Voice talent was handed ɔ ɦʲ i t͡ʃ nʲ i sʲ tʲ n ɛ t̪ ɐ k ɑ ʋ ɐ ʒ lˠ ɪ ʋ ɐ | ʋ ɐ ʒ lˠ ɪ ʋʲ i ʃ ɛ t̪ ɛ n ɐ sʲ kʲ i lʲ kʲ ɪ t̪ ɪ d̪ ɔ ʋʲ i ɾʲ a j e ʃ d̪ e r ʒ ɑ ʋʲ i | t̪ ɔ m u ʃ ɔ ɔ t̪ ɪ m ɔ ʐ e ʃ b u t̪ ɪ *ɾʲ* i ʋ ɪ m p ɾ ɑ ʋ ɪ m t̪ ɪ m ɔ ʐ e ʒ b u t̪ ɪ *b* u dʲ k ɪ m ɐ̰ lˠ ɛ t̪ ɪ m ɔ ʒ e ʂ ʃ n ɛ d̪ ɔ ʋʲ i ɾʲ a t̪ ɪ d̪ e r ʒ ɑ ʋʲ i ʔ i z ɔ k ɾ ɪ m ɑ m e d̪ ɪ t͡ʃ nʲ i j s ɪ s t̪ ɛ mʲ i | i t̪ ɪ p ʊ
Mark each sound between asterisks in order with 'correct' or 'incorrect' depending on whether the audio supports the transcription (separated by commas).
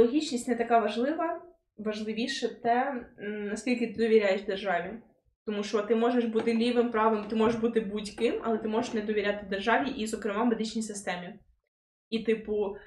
incorrect, correct